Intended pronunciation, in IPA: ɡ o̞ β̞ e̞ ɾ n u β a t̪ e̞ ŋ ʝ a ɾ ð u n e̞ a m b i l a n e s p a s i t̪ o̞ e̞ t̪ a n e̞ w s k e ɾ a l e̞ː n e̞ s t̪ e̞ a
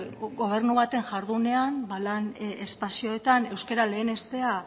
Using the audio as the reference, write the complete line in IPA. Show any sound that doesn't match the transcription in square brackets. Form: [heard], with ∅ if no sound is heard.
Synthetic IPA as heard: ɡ o̞ β̞ e̞ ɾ n u β a t̪ e̞ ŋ ʝ a ɾ ð u n e̞ a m b [a] l a n e s p a s i [∅] o̞ e̞ t̪ a n e̞ w s k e ɾ a l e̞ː n e̞ s t̪ e̞ a